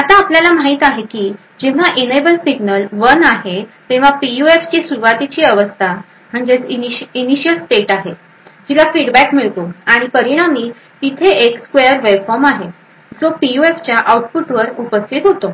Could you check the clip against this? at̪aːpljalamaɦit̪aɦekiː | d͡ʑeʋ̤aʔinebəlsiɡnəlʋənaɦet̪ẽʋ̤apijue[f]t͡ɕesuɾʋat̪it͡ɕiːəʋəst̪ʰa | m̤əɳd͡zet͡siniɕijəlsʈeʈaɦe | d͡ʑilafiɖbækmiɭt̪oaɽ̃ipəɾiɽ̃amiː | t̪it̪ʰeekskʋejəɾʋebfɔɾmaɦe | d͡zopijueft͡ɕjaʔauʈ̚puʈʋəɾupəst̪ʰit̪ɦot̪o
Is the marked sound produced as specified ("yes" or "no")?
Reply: yes